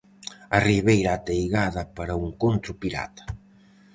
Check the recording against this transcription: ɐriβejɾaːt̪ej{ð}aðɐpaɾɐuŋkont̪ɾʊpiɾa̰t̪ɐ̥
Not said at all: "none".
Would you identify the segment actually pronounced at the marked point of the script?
ɣ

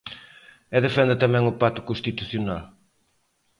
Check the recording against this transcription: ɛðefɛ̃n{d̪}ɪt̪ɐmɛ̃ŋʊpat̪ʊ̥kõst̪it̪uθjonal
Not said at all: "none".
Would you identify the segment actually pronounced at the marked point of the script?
d̪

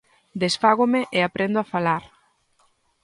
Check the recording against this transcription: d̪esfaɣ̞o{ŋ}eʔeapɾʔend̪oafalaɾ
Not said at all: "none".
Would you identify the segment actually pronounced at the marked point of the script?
m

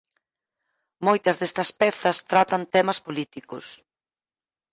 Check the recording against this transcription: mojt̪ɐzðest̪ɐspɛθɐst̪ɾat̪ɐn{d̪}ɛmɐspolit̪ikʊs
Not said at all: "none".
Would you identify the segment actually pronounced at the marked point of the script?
t̪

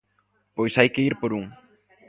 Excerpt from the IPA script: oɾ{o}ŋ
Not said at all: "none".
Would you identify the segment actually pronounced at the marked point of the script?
u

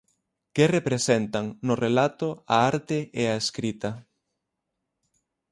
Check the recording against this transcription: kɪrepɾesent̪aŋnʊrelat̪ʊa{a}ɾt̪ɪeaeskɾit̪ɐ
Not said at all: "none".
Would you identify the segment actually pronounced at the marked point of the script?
a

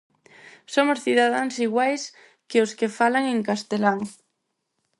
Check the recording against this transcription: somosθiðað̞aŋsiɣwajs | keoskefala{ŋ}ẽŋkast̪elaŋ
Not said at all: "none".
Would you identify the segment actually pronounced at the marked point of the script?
ŋ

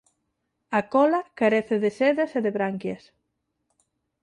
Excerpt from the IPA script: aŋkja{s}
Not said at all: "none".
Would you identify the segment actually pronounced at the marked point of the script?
s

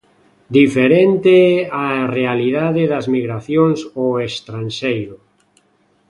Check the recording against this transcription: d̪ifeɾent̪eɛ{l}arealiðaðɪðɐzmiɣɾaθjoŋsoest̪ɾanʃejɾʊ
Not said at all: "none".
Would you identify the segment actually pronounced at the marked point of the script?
none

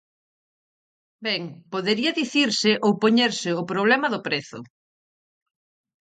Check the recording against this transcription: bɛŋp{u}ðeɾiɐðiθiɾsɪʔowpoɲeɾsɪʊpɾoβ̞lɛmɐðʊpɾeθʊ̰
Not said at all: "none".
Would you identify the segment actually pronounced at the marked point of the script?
o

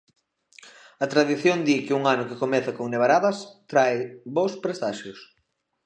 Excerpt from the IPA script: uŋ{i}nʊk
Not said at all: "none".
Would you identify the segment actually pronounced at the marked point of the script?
a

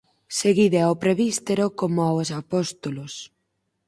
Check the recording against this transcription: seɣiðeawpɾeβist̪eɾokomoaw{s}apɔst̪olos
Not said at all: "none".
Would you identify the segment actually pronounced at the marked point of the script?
s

